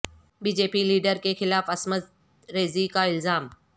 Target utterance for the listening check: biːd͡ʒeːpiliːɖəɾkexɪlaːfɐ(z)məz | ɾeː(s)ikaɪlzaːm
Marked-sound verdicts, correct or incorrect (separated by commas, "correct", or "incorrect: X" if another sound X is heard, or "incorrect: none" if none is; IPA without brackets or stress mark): incorrect: s, incorrect: z